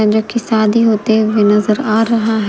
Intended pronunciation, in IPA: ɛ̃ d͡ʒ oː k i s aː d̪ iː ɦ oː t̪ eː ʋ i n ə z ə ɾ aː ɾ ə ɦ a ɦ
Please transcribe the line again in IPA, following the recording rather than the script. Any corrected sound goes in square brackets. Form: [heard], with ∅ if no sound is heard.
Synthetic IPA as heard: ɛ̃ d͡ʒ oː k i s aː d̪ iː ɦ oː t̪ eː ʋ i n ə z ə ɾ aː ɾ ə ɦ a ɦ